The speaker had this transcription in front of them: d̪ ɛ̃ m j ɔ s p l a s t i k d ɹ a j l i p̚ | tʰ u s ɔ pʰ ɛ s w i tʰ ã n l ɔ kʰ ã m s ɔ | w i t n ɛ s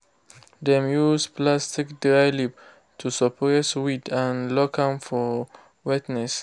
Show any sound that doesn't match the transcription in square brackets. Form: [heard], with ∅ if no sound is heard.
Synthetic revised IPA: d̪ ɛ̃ m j [u] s p l a s t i k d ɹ a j l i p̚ | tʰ u s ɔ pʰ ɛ s w i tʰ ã n l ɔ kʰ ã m [f] ɔ | w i t n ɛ s